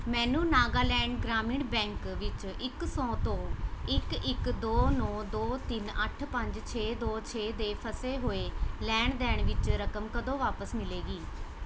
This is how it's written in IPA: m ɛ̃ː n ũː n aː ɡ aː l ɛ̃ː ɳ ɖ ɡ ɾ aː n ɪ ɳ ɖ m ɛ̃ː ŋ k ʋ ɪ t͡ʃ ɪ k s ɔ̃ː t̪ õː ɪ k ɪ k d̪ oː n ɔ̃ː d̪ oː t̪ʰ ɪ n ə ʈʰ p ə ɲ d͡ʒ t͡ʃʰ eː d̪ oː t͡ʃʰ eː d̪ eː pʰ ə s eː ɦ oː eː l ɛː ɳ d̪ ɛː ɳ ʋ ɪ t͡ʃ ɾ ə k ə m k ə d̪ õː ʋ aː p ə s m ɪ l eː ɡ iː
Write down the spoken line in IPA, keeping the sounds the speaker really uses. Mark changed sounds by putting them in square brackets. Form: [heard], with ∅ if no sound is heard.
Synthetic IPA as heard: m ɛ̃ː n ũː n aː ɡ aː l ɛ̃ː ɳ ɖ ɡ ɾ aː [m] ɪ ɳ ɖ [b] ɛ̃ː ŋ k ʋ ɪ t͡ʃ ɪ k s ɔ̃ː t̪ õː ɪ k ɪ k d̪ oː n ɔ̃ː d̪ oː [t̪] ɪ n ə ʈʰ p ə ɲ d͡ʒ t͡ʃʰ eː d̪ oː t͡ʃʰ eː d̪ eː pʰ ə s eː ɦ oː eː l ɛː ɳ d̪ ɛː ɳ ʋ ɪ t͡ʃ ɾ ə k ə m k ə d̪ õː ʋ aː p ə s m ɪ l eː ɡ iː